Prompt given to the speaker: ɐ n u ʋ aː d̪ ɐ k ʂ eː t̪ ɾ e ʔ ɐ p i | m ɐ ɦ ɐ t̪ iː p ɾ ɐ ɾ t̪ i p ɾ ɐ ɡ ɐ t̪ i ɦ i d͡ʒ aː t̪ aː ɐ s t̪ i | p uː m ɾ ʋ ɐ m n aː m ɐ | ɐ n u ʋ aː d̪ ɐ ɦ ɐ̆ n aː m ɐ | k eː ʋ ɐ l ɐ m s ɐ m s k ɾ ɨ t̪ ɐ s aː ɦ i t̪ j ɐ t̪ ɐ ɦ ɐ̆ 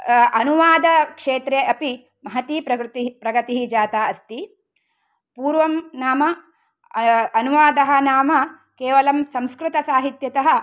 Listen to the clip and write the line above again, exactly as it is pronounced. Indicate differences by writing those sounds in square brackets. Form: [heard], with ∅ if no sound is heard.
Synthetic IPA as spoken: ɐ n u ʋ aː d̪ ɐ k ʂ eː t̪ ɾ e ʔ ɐ p i | m ɐ ɦ ɐ t̪ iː p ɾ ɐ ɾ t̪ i p ɾ ɐ ɡ ɐ t̪ i ɦ i d͡ʒ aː t̪ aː ɐ s t̪ i | p uː [∅] ɾ ʋ ɐ m n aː m ɐ | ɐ n u ʋ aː d̪ ɐ ɦ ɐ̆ n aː m ɐ | k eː ʋ ɐ l ɐ m s ɐ m s k ɾ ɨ t̪ ɐ s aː ɦ i t̪ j ɐ t̪ ɐ ɦ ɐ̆